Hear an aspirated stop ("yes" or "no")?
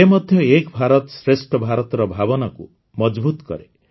no